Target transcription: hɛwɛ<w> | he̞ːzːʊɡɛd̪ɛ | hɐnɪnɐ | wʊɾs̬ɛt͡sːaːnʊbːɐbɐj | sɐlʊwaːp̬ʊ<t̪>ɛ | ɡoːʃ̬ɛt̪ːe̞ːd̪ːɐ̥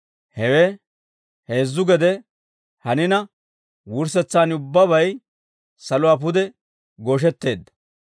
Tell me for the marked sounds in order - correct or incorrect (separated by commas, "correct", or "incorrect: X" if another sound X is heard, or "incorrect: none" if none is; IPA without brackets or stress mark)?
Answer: incorrect: none, incorrect: d̪